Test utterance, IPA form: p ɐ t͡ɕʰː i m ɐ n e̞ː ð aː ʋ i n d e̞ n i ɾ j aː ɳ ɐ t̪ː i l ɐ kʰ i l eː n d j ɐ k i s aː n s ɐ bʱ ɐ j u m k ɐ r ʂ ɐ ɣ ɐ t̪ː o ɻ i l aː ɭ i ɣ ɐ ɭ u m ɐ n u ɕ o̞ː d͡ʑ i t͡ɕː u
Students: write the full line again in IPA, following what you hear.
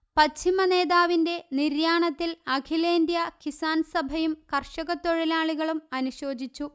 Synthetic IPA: p ɐ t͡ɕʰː i m ɐ n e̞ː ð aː ʋ i n d e̞ n i ɾ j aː ɳ ɐ t̪ː i l ɐ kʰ i l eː n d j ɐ k i s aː n s ɐ bʱ ɐ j u m k ɐ r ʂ ɐ ɣ ɐ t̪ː o ɻ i l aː ɭ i ɣ ɐ ɭ u m ɐ n u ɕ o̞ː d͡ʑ i t͡ɕː u